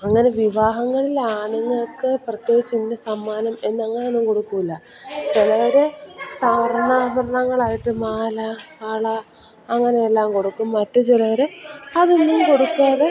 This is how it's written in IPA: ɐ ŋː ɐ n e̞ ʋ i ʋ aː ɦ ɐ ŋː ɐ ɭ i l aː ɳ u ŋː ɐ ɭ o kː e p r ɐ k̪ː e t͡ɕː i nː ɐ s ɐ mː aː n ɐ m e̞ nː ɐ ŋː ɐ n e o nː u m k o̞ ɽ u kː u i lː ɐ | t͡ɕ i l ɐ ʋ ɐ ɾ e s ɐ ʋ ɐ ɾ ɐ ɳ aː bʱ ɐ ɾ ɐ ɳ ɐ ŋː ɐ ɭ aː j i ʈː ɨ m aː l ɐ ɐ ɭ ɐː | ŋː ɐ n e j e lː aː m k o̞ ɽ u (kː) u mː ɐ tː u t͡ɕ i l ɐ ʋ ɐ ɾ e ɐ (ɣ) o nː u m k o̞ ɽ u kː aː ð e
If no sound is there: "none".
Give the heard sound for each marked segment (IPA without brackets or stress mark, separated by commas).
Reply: kː, ð